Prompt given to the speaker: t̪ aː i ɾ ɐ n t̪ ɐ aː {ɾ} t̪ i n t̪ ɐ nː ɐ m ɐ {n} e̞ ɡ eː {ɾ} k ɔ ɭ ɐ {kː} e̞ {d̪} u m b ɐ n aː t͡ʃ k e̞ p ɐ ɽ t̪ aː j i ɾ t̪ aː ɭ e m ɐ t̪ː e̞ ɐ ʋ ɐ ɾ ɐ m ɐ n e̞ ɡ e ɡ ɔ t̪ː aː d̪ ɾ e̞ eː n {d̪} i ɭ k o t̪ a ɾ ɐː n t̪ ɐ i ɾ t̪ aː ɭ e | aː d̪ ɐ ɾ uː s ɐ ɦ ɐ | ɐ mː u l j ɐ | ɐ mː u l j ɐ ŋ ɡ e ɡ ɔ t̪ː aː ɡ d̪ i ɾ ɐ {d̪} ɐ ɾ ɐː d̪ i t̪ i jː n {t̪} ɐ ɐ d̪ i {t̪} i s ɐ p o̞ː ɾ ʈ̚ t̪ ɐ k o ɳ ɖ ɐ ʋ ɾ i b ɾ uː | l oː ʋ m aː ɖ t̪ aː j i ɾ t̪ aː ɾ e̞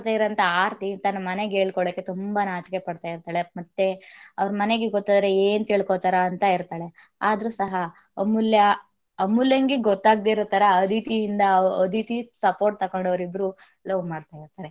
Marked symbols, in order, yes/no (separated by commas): yes, yes, no, yes, no, no, no, no, yes